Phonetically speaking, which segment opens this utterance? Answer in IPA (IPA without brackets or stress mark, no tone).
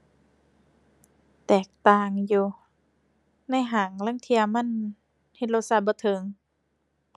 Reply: t̪